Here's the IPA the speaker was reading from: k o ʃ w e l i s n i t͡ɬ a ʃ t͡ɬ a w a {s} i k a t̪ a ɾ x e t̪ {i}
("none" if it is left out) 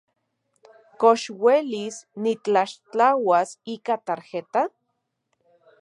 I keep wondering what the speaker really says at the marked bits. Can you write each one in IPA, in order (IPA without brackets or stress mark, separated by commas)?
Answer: s, a